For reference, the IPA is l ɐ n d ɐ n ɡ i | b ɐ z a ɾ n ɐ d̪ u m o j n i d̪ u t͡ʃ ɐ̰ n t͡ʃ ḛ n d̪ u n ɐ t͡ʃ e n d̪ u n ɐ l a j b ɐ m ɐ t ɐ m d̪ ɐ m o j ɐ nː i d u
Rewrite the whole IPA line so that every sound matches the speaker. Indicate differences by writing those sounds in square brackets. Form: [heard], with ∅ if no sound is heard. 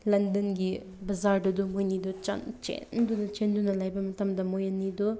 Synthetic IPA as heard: l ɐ n d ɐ n ɡ i | b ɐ z a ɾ [d] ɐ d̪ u m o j n i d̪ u t͡ʃ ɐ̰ n t͡ʃ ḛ n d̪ u n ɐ t͡ʃ e n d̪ u n ɐ l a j b ɐ m ɐ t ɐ m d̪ ɐ m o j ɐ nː i d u